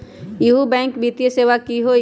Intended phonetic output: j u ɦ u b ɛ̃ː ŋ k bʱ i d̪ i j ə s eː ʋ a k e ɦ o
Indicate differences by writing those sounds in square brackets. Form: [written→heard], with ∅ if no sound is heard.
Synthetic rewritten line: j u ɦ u b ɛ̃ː ŋ k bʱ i [d̪→t̪] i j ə s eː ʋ a k [e→i] ɦ o